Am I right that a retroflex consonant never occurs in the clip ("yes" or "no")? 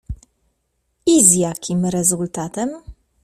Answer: yes